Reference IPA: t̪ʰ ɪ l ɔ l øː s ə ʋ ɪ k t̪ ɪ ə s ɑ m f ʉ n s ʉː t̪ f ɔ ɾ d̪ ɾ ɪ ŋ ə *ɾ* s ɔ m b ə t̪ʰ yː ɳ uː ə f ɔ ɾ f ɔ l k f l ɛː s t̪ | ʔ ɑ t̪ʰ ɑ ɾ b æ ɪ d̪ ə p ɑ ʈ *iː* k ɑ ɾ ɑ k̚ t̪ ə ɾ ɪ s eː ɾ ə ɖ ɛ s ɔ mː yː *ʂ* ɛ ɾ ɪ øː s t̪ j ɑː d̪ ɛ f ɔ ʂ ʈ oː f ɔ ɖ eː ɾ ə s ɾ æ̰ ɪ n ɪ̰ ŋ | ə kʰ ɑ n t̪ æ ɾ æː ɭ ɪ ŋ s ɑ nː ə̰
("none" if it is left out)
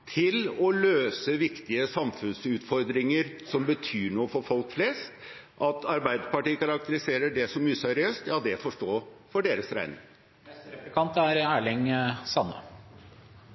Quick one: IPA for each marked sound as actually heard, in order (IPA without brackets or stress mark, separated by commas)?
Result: ɾ, iː, s